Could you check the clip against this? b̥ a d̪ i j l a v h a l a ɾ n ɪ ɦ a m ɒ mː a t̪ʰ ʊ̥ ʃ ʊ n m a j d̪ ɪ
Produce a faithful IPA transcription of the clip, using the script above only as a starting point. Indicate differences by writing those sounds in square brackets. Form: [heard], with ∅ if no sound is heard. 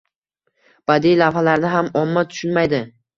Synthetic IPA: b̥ a d̪ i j l a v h a l a ɾ n ɪ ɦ a m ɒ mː a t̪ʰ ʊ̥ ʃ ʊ n m a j d̪ ɪ